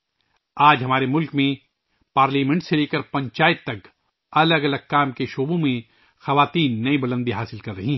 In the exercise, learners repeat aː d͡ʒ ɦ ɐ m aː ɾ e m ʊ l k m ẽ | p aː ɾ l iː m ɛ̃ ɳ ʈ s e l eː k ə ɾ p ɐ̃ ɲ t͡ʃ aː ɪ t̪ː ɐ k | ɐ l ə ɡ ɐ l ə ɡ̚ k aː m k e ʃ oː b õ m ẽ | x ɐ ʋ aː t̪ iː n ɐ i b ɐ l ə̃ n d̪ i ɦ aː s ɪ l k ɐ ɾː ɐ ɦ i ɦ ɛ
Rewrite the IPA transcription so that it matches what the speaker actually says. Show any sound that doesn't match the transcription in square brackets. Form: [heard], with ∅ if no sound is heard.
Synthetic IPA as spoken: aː d͡ʒ ɦ ɐ m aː ɾ e m ʊ l k m ẽ | p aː ɾ l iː m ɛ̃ ɳ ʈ s e l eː k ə ɾ p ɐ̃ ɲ t͡ʃ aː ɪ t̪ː ɐ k | ɐ l ə ɡ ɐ l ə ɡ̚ k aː m k e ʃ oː b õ m ẽ | x ɐ ʋ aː t̪ iː [nː] ɐ i b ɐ l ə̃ n d̪ i ɦ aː s ɪ l k ɐ ɾː ɐ ɦ i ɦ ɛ